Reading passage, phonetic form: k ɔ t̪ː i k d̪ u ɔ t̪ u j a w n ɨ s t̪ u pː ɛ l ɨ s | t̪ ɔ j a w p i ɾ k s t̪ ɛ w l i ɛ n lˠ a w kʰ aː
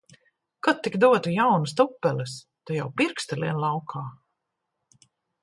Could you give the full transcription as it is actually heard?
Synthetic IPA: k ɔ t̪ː i k d̪ u ɔ t̪ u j a w n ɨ s t̪ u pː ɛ l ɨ s | t̪ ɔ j a w p i ɾ k s t̪ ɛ l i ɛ n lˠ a w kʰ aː